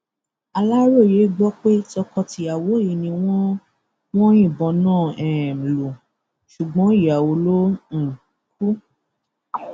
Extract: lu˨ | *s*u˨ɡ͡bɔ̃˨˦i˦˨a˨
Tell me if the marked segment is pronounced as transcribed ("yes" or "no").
no